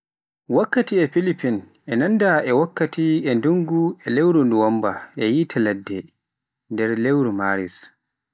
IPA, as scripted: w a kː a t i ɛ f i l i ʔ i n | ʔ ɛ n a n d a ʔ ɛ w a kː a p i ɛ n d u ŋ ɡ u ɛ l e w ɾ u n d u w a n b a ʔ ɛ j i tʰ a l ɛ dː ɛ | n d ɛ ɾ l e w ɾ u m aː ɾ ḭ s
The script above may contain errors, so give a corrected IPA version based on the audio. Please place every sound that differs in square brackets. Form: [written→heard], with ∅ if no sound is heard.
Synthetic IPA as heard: w a kː a t i ɛ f i l i [ʔ→p] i n | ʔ ɛ n a n d a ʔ ɛ w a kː a [p→t] i ɛ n d u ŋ ɡ u ɛ l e w ɾ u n d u w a [n→m] b a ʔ ɛ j i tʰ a l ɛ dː ɛ | n d ɛ ɾ l e w ɾ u m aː ɾ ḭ s

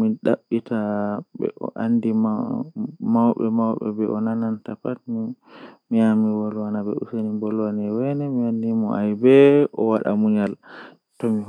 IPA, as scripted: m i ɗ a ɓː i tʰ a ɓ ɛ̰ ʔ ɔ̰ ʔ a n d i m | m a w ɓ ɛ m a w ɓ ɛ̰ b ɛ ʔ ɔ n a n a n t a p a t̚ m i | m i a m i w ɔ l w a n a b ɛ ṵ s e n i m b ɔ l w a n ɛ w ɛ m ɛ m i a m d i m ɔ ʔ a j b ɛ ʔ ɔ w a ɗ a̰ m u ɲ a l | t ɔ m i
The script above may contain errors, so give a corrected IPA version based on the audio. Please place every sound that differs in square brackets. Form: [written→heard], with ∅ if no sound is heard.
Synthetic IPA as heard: m i ɗ a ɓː i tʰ a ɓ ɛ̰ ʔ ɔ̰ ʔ a n d i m | m a w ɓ ɛ m a w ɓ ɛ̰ b ɛ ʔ ɔ n a n a n t a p a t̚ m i | m i a m i w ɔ l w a n a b ɛ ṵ s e n i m b ɔ l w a n ɛ w ɛ [m→n] ɛ m i a [m→n] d i m ɔ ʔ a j b ɛ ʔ ɔ w a ɗ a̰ m u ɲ a l | t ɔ m i

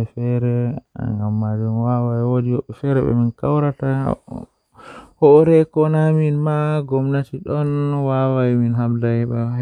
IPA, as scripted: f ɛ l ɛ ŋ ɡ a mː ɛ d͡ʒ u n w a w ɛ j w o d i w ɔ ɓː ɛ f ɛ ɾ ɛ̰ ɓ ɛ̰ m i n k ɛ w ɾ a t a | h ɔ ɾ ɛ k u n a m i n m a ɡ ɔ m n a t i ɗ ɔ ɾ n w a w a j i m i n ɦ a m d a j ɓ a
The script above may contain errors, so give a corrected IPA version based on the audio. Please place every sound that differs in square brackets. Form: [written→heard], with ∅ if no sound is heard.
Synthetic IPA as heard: f ɛ [l→ɾ] ɛ ŋ ɡ a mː [ɛ→a] d͡ʒ u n w a w [ɛ→a] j w o d i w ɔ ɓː ɛ f ɛ ɾ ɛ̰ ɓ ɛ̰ m i n k [ɛ→a] w ɾ a t a | h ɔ ɾ ɛ k [u→ɔ] n a m i n m a ɡ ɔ m n a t i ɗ ɔ [ɾ→∅] n w a w a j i m i n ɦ a m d a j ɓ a

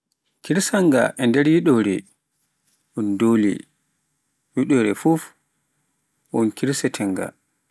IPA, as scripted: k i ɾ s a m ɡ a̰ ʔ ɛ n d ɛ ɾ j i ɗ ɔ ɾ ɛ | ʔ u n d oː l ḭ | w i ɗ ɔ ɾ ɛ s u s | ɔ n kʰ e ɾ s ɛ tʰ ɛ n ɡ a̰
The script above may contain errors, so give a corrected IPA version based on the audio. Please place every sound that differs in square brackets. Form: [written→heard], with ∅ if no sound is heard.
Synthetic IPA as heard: k i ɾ s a [m→ŋ] ɡ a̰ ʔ ɛ n d ɛ ɾ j i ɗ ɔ ɾ ɛ | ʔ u n d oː l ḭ | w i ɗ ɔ ɾ ɛ [s→f] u [s→f] | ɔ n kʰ [e→i] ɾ s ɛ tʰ ɛ [n→ŋ] ɡ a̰

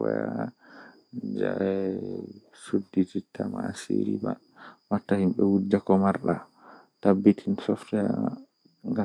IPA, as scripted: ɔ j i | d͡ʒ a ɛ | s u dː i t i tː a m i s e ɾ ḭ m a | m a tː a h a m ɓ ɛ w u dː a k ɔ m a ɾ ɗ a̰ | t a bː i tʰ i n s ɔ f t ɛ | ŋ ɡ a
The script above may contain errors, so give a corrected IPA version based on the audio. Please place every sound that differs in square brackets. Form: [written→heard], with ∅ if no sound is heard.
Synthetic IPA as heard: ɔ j [i→a] | d͡ʒ a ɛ | s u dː i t i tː a m [i→a] s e ɾ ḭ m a | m a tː a h [a→i] m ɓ ɛ w u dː a k ɔ m a ɾ ɗ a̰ | t a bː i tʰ i n s ɔ f t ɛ | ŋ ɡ a

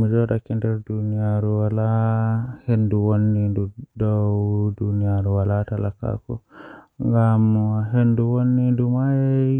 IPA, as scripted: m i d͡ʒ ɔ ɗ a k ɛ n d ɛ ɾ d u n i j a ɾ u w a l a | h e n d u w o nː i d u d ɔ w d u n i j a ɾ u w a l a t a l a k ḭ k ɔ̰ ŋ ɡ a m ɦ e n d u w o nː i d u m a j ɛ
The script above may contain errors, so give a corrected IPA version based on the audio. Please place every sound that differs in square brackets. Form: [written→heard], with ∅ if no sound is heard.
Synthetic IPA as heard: m i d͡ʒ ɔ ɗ a k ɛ n d ɛ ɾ d u n i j a ɾ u w a l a | h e n d u w o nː i d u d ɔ w d u n i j a ɾ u w a l a t a l a k [ḭ→a̰] k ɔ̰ ŋ ɡ a m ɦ e n d u w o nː i d u m a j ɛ

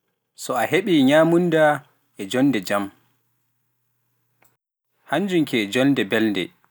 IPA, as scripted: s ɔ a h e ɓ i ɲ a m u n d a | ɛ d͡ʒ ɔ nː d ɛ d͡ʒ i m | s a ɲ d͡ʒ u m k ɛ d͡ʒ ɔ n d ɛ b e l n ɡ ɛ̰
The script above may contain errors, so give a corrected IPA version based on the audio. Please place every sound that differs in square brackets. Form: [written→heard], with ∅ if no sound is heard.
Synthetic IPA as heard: s ɔ a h e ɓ i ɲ a m u n d a | ɛ d͡ʒ ɔ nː d ɛ d͡ʒ [i→a] m | [s→h] a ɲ d͡ʒ u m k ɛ d͡ʒ ɔ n d ɛ b [e→ɛ] l n [ɡ→d] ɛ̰

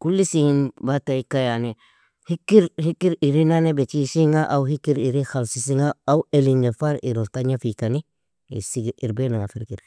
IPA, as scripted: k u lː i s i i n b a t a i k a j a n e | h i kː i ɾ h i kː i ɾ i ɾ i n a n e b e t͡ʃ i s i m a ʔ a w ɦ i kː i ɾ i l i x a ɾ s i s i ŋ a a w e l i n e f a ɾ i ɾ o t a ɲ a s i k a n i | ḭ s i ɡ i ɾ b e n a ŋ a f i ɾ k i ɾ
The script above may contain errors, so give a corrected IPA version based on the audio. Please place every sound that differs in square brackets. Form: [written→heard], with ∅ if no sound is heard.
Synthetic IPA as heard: k u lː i s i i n b a t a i k a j a n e | h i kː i ɾ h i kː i ɾ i ɾ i n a n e b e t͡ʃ i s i [m→ŋ] a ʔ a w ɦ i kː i ɾ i [l→ɾ] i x a [ɾ→l] s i s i ŋ a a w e l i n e f a ɾ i ɾ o t a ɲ a [s→f] i k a n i | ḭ s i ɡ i ɾ b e n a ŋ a f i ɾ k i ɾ

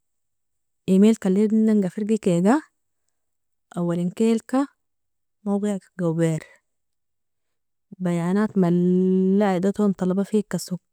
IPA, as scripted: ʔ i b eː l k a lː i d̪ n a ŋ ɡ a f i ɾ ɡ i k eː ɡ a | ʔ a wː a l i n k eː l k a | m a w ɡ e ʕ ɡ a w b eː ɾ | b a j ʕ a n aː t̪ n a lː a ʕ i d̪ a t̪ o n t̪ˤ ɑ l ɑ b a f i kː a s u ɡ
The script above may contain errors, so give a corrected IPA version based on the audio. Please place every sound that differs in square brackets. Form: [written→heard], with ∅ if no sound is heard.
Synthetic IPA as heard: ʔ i [b→m] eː l k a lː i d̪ n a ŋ ɡ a f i ɾ ɡ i k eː ɡ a | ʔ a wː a l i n k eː l k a | m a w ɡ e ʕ ɡ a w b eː ɾ | b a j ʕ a n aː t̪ [n→m] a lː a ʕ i d̪ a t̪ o n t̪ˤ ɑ l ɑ b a f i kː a s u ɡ

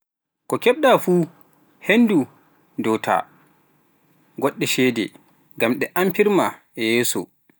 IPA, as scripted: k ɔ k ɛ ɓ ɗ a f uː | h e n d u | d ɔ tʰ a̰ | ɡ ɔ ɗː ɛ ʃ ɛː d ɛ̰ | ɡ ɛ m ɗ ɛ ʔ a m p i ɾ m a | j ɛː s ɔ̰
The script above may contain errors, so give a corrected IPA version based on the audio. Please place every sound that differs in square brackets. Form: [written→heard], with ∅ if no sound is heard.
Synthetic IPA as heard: k ɔ k ɛ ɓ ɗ a f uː | h e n d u | d ɔ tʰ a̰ | ɡ ɔ ɗː ɛ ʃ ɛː d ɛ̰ | ɡ [ɛ→a] m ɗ ɛ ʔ a m p i ɾ m a | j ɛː s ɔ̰

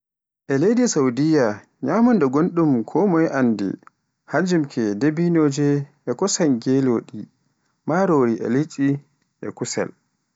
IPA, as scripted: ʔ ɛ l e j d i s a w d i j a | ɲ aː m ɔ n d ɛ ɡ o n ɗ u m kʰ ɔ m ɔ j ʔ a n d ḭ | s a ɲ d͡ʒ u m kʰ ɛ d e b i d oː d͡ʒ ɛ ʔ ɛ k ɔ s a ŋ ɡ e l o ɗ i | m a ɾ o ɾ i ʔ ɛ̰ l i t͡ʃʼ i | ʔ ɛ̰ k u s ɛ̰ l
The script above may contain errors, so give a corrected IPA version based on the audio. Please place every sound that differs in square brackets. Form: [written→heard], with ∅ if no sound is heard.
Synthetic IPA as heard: ʔ ɛ l e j d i s a w d i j a | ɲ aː m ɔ n d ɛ ɡ o n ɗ u m kʰ ɔ m ɔ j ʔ a n d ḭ | [s→h] a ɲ d͡ʒ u m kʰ ɛ d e b i [d→n] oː d͡ʒ ɛ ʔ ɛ k ɔ s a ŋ ɡ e l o ɗ i | m a ɾ o ɾ i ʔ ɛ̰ l i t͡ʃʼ i | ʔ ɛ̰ k u s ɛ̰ l

